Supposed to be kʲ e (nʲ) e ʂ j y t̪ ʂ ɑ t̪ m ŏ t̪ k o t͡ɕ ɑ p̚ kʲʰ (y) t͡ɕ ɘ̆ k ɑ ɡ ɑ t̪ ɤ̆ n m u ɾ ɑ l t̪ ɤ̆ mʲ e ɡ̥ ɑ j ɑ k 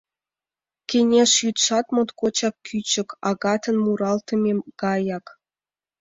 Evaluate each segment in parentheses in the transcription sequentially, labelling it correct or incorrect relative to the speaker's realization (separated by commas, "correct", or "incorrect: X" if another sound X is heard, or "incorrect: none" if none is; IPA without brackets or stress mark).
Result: correct, correct